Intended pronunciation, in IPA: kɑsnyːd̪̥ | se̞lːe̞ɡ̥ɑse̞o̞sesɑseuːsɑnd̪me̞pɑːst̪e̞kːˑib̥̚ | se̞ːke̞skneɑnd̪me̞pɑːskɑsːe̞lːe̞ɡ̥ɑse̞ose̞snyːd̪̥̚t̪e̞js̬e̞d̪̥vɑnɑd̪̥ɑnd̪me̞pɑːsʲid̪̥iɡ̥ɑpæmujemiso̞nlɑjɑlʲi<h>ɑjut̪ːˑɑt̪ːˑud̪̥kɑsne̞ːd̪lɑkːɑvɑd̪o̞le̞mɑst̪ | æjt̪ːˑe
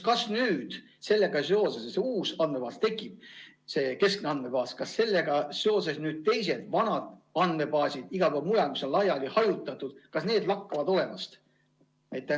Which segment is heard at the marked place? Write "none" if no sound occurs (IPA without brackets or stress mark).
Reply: h